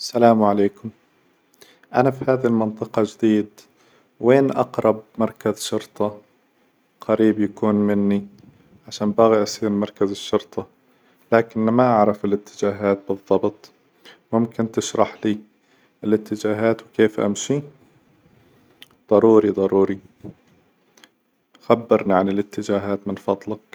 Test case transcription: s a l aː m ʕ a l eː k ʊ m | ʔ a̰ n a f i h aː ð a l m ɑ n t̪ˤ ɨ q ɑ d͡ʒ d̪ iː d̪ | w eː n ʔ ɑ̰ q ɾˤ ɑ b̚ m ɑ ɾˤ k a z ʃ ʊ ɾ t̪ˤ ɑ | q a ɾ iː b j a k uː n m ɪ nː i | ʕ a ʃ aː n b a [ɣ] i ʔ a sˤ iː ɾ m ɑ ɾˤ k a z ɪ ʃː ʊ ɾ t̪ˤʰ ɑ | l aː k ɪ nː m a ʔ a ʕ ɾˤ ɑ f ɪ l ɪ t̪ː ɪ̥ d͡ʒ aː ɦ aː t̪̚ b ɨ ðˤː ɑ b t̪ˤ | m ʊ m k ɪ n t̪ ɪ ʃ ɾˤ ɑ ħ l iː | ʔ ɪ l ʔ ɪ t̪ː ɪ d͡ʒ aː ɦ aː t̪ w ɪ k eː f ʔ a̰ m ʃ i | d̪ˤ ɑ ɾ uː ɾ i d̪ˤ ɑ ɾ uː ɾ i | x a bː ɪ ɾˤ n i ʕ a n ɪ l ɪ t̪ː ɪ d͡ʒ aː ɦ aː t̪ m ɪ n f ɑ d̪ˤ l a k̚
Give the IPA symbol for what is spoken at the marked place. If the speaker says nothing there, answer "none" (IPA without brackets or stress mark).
ɣ